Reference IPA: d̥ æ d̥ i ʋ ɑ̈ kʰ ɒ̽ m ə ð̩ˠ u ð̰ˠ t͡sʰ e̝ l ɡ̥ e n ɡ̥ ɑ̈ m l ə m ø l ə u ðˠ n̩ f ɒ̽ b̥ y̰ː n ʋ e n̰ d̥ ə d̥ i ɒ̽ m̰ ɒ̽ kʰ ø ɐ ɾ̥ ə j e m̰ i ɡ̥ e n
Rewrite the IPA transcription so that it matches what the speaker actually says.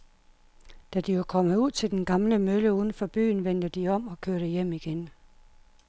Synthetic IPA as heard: d̥ æ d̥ i ʋ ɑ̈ kʰ ɒ̽ m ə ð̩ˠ u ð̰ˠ t͡sʰ e̝ l d̥ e n ɡ̥ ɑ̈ m l ə m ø l ə u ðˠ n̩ f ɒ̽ b̥ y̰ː n ʋ e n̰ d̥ ə d̥ i ɒ̽ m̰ ɒ̽ kʰ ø ɐ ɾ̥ ə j e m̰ i ɡ̥ e n